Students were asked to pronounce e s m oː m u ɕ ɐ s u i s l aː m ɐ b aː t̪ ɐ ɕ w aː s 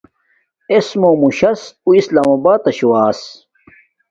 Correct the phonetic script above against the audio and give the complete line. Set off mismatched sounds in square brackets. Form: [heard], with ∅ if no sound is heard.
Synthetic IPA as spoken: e s m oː m u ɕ ɐ s u i s l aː m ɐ b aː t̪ ɐ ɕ w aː s

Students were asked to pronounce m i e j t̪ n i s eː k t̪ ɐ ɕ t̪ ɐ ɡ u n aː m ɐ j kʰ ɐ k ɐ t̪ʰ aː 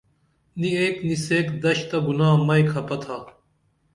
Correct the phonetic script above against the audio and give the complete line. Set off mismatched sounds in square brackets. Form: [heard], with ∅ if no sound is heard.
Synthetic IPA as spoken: [n] i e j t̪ n i s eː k [d̪] ɐ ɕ t̪ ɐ ɡ u n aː m ɐ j kʰ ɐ [p] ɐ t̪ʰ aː

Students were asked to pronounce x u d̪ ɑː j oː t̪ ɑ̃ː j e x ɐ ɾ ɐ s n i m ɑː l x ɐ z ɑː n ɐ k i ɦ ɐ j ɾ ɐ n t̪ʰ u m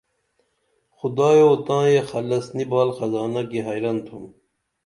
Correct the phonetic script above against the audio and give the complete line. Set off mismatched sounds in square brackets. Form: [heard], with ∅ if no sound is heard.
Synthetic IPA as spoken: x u d̪ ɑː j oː t̪ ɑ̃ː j e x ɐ [l] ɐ s n i [b] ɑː l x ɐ z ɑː n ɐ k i ɦ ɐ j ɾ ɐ n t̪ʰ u m

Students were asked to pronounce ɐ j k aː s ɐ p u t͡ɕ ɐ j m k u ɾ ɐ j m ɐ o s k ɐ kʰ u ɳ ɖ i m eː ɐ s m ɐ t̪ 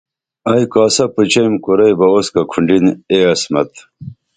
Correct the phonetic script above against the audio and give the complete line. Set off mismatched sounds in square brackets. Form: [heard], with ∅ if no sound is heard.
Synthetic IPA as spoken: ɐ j k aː s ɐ p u t͡ɕ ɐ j m k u ɾ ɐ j [b] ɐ o s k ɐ kʰ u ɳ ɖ i [n] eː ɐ s m ɐ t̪

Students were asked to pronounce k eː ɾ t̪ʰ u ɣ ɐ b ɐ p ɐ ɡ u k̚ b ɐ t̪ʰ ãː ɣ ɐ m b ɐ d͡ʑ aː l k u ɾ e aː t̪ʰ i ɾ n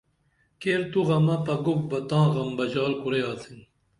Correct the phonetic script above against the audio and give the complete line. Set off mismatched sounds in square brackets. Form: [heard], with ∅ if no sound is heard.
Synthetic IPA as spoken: k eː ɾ [t̪] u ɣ ɐ [m] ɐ p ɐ ɡ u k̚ b ɐ [t̪] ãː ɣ ɐ m b ɐ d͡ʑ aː l k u ɾ e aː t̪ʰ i [∅] n

